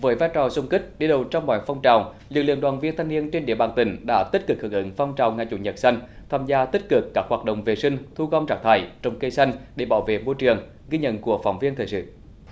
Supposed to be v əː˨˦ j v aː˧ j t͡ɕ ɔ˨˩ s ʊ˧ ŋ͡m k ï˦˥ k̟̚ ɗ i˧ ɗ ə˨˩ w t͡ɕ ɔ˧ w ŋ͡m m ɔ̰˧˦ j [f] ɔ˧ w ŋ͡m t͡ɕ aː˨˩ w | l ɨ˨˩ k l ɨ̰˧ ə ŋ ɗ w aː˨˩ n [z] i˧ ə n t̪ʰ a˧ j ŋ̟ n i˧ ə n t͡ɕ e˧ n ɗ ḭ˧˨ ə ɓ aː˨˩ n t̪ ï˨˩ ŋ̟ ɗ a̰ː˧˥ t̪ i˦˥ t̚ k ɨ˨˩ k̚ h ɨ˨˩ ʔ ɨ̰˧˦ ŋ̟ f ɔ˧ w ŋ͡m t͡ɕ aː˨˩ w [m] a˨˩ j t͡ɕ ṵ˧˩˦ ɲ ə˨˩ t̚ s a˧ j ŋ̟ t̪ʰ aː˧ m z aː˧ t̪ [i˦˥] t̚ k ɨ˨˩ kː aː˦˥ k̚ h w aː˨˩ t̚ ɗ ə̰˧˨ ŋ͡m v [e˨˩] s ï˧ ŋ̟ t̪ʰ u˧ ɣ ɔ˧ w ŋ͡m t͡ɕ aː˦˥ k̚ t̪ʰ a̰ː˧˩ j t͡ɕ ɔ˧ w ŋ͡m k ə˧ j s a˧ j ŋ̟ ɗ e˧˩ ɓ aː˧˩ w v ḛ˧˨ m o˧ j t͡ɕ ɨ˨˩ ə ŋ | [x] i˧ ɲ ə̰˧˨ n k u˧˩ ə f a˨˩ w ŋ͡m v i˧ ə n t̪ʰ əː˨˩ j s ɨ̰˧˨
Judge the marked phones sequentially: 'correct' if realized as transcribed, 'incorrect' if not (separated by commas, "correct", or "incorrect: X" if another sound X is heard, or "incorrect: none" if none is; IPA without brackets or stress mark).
correct, incorrect: v, incorrect: ŋ, correct, correct, incorrect: ɣ